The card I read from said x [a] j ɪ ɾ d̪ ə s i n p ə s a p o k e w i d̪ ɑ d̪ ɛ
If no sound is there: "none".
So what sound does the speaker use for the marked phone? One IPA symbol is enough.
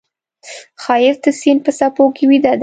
ɑ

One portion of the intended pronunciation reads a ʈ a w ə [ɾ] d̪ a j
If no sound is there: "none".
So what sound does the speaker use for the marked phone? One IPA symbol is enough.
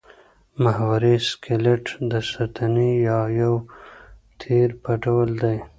l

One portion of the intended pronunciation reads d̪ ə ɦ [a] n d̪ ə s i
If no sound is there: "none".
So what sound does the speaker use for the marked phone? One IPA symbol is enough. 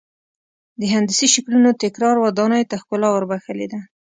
a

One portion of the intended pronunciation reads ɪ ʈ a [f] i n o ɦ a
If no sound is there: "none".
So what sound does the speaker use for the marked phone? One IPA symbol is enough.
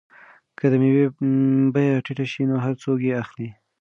ʃ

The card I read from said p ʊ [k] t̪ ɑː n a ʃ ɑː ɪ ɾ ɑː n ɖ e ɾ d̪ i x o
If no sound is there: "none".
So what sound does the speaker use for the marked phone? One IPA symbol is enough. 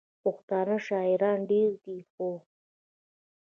x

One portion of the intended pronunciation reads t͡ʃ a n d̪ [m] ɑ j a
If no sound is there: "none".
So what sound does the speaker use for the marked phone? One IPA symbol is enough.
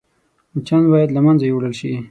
b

